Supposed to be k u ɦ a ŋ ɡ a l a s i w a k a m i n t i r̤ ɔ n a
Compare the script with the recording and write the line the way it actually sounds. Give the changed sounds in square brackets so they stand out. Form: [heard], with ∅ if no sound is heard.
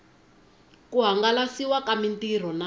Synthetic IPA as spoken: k u ɦ a ŋ ɡ a l a s i w a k a m i n t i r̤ ɔ n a